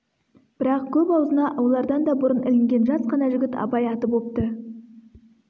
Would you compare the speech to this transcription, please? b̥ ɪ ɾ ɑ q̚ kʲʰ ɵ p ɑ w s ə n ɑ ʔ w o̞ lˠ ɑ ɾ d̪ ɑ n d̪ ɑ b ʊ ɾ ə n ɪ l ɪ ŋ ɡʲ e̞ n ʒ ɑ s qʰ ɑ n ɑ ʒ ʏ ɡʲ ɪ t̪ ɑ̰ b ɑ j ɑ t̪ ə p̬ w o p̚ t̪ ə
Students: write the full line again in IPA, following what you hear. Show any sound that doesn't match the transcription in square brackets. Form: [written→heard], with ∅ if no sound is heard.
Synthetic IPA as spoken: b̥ ɪ ɾ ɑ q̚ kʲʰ ɵ p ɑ w [s→z] ə n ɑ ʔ w o̞ lˠ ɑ ɾ d̪ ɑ n d̪ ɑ b ʊ ɾ ə n ɪ l ɪ ŋ ɡʲ e̞ n ʒ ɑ s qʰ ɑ n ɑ ʒ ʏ ɡʲ ɪ t̪ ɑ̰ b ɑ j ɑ t̪ ə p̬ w o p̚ t̪ ə